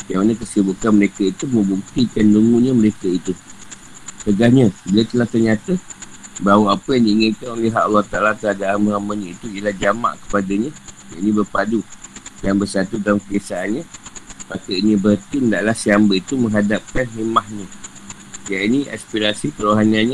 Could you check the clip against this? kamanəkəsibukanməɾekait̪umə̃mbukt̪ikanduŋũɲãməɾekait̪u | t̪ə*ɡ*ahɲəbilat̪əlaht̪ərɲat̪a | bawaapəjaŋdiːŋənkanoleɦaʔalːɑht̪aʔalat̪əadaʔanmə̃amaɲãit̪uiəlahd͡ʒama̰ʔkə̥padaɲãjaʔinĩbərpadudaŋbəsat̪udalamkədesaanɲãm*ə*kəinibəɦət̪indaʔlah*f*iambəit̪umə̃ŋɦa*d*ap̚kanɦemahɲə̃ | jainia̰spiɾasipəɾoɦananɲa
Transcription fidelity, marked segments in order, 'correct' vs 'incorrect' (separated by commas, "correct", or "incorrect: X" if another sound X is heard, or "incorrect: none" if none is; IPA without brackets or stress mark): correct, incorrect: a, incorrect: s, correct